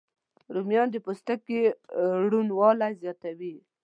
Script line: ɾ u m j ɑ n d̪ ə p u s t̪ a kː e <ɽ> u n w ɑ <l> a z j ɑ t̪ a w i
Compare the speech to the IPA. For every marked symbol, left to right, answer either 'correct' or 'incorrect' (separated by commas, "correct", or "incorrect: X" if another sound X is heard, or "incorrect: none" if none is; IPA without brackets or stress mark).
correct, correct